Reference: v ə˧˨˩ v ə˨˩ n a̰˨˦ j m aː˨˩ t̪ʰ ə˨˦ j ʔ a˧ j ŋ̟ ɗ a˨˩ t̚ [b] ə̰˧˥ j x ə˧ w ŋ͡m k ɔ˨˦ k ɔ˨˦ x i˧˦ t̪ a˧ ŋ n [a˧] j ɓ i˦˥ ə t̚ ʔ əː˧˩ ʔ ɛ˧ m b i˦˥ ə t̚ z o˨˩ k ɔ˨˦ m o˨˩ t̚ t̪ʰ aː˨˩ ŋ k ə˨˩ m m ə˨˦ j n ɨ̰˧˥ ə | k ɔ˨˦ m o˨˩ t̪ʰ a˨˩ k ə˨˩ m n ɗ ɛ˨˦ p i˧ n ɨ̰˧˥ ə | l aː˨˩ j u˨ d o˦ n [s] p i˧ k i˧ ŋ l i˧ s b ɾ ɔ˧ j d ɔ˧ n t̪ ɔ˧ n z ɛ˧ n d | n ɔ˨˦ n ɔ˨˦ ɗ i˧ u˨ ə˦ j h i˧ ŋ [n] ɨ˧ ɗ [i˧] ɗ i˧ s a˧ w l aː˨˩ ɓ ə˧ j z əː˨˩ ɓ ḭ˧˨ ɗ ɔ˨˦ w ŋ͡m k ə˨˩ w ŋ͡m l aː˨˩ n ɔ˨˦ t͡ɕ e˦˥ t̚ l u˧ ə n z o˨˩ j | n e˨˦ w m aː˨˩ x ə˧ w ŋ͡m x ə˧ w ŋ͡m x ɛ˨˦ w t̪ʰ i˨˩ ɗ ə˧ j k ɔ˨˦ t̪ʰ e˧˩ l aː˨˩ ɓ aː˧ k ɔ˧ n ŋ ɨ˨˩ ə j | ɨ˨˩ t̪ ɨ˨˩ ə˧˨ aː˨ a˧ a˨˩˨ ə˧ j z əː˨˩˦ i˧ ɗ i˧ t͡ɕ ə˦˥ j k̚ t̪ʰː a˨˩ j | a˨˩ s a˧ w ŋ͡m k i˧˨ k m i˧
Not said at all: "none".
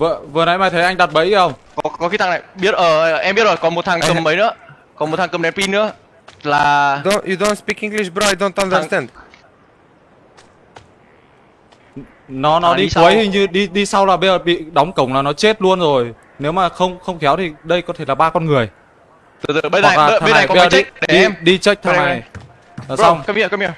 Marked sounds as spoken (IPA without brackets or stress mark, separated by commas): ɓ, a˨˩, s, ɲ, i˧